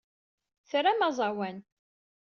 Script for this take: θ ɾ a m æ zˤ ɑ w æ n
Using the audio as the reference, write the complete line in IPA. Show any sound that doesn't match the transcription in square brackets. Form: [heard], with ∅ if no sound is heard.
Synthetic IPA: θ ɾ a m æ zˤ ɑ w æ n